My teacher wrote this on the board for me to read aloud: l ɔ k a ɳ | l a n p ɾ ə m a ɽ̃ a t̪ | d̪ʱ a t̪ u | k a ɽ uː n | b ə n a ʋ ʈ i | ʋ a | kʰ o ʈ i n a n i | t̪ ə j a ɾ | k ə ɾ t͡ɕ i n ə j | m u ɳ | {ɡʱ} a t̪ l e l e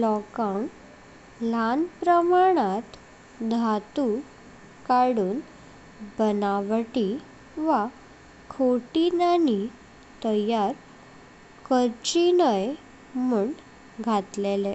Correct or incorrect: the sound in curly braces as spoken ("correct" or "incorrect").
correct